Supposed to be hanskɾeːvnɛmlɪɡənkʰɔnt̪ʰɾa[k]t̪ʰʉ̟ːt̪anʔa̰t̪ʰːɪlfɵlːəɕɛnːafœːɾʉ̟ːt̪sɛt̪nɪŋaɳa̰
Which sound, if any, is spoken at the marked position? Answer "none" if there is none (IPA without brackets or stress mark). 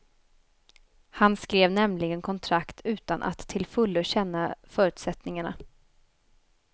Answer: k